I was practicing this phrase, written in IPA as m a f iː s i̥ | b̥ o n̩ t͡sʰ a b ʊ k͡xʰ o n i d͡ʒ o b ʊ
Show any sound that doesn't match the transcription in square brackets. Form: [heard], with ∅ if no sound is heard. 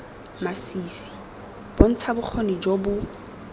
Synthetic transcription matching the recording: m a [s] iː s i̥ | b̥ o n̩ t͡sʰ a b ʊ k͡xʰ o n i d͡ʒ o b ʊ